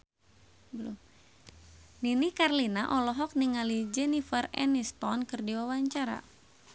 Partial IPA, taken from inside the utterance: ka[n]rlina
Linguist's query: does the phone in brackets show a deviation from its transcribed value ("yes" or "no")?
yes